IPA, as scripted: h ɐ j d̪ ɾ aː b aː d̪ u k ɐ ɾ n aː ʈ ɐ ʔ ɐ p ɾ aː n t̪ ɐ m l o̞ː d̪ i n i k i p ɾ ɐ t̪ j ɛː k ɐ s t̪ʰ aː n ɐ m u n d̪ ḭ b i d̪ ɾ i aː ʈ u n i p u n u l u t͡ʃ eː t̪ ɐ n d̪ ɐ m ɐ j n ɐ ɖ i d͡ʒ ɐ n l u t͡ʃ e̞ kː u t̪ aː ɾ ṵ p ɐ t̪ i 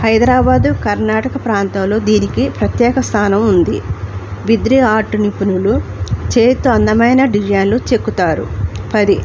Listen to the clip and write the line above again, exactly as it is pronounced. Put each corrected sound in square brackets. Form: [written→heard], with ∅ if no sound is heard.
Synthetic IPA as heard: h ɐ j d̪ ɾ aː b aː d̪ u k ɐ ɾ n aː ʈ ɐ [ʔ→k] ɐ p ɾ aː n t̪ ɐ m l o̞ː d̪ [i→iː] n i k i p ɾ ɐ t̪ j ɛː k ɐ s t̪ʰ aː n ɐ m u n d̪ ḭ b i d̪ ɾ i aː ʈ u n i p u n u l u t͡ʃ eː t̪ ɐ n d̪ ɐ m ɐ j n ɐ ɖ i d͡ʒ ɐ n l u t͡ʃ e̞ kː u t̪ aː ɾ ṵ p ɐ [t̪→d̪] i

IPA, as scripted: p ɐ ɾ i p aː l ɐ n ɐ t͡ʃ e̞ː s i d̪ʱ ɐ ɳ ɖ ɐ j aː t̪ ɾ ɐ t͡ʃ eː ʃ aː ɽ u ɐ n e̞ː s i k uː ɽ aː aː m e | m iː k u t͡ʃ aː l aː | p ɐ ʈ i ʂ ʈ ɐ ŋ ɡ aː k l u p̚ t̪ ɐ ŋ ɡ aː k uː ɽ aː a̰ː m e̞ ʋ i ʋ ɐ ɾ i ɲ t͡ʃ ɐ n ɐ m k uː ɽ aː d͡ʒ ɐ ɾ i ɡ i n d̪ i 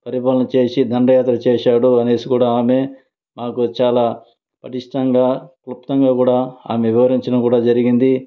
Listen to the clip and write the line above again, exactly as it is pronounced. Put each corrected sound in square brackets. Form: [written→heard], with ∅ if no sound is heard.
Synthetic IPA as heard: p ɐ ɾ i p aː l ɐ n ɐ t͡ʃ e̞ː s i d̪ʱ ɐ ɳ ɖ ɐ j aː t̪ ɾ ɐ t͡ʃ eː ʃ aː ɽ u ɐ n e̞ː s i k uː ɽ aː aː m e | m [iː→aː] k u t͡ʃ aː l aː | p ɐ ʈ i ʂ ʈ ɐ ŋ ɡ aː k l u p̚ t̪ ɐ ŋ ɡ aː k uː ɽ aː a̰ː m e̞ ʋ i ʋ ɐ ɾ i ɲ t͡ʃ ɐ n ɐ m k uː ɽ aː d͡ʒ ɐ ɾ i ɡ i n d̪ i

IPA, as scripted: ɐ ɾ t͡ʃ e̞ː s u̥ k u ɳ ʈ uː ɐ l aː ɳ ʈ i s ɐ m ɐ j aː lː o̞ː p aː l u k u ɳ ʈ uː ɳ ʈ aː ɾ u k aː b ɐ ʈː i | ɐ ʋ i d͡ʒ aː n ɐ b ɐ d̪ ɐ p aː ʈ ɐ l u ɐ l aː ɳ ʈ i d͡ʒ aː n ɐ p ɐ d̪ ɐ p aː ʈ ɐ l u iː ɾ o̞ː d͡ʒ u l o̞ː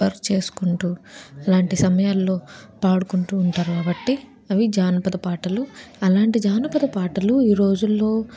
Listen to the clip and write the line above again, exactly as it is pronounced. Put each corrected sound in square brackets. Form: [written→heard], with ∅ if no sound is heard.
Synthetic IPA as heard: ɐ ɾ t͡ʃ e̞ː s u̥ k u ɳ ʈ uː ɐ l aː ɳ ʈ i s ɐ m ɐ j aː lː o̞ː p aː [l→ɽ] u k u ɳ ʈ uː ɳ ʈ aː ɾ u k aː b ɐ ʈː i | ɐ ʋ i d͡ʒ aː n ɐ [b→p] ɐ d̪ ɐ p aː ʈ ɐ l u ɐ l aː ɳ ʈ i d͡ʒ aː n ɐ p ɐ d̪ ɐ p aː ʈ ɐ l u iː ɾ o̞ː d͡ʒ u [l→lː] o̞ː

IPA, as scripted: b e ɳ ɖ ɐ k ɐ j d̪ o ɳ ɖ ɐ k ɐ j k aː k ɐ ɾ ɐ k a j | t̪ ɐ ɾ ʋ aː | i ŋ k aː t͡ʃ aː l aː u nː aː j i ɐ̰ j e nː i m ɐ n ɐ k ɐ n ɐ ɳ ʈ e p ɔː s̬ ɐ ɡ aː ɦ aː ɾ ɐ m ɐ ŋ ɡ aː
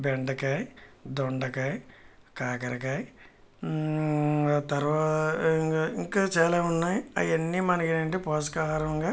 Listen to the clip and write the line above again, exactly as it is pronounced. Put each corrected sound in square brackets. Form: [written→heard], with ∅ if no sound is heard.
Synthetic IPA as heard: b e ɳ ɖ ɐ k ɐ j d̪ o ɳ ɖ ɐ k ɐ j k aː k ɐ ɾ ɐ k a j | t̪ ɐ ɾ ʋ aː | i ŋ k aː t͡ʃ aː l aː u nː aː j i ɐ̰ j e nː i m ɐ n ɐ k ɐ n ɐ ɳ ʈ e p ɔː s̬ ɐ [ɡ→k] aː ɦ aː ɾ ɐ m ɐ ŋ ɡ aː

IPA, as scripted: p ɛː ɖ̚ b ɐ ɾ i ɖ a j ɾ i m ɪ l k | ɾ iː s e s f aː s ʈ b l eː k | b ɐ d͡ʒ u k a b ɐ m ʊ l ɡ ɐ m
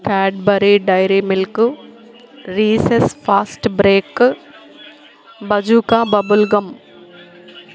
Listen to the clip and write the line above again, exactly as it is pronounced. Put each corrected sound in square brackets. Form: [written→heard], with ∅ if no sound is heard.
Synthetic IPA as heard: [p→k] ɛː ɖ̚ b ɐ ɾ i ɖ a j ɾ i m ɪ l k | ɾ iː s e s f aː s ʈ b [l→ɾ] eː k | b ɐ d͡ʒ u k a b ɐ [m→b] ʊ l ɡ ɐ m

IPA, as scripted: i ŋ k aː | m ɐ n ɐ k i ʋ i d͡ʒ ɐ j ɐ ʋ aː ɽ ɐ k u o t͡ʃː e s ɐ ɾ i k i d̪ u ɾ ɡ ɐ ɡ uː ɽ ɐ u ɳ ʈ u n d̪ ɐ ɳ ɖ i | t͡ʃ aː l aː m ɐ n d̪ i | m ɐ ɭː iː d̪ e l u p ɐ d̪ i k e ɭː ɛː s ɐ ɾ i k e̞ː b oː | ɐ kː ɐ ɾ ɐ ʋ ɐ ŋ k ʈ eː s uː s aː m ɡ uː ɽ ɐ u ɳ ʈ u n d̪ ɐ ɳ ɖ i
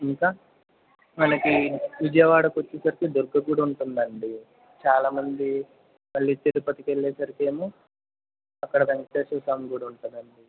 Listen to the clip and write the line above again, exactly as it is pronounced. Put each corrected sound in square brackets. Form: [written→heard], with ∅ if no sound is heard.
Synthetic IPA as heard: i ŋ k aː | m ɐ n ɐ k i ʋ i d͡ʒ ɐ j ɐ ʋ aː ɽ ɐ k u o t͡ʃː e s ɐ ɾ i k i d̪ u ɾ ɡ ɐ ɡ uː ɽ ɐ u ɳ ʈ u n d̪ ɐ ɳ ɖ i | t͡ʃ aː l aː m ɐ n d̪ i | m ɐ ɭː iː [d̪→t̪] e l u p ɐ [d̪→t̪] i k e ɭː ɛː s ɐ ɾ i k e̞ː [b→m] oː | ɐ kː ɐ [ɾ→ɽ] ɐ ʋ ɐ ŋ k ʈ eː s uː s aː m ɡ uː ɽ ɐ u ɳ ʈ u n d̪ ɐ ɳ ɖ i

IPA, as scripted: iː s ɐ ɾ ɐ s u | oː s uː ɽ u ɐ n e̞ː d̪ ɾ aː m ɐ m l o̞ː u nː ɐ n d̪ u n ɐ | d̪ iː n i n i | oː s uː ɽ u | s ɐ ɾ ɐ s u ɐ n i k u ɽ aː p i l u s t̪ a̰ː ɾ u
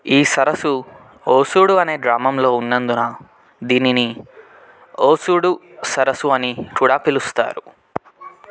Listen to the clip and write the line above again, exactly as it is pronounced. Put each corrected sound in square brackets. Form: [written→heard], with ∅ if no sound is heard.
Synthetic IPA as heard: iː s ɐ ɾ ɐ s u | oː s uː ɽ u ɐ n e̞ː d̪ ɾ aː m ɐ m l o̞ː u nː ɐ n d̪ u n ɐ | d̪ iː n i n i | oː s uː ɽ u | s ɐ ɾ ɐ s u ɐ n i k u ɽ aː p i l u s t̪ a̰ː ɾ u

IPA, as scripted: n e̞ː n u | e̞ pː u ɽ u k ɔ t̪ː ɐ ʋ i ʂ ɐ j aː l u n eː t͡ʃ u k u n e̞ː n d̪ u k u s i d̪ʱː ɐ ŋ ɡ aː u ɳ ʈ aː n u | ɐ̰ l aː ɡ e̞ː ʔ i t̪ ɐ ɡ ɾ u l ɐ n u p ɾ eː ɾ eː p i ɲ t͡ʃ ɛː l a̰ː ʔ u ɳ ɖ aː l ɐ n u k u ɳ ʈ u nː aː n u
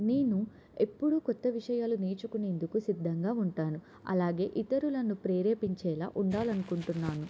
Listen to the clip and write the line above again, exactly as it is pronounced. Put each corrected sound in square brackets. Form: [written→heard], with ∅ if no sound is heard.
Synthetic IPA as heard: n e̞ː n u | e̞ pː u ɽ u k ɔ t̪ː ɐ ʋ i ʂ ɐ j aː l u n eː t͡ʃ u k u n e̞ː n d̪ u k u s i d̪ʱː ɐ ŋ ɡ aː u ɳ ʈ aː n u | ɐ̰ l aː ɡ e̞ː ʔ i t̪ ɐ [ɡ→∅] ɾ u l ɐ n u p ɾ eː ɾ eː p i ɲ t͡ʃ ɛː l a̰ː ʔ u ɳ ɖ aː l ɐ n u k u ɳ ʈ u nː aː n u

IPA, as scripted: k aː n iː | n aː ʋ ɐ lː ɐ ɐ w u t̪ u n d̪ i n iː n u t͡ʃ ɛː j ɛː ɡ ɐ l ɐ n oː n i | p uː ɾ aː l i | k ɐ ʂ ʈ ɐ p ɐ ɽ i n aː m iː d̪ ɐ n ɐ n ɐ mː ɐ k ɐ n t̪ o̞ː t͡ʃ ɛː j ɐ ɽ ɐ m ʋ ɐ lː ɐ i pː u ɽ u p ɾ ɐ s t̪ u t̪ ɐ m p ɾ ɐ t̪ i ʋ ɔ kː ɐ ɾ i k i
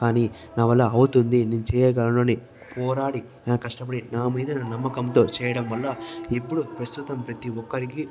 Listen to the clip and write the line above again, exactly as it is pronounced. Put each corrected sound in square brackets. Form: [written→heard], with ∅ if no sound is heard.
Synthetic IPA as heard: k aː n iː | n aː ʋ ɐ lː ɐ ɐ w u t̪ u n d̪ i n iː n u t͡ʃ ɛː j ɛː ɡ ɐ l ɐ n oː n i | p [uː→ɔː] ɾ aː [l→ɽ] i | k ɐ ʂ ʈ ɐ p ɐ ɽ i n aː m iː d̪ ɐ n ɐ n ɐ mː ɐ k ɐ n t̪ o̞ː t͡ʃ ɛː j ɐ ɽ ɐ m ʋ ɐ lː ɐ i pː u ɽ u p ɾ ɐ s t̪ u t̪ ɐ m p ɾ ɐ t̪ i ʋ ɔ kː ɐ ɾ i k i

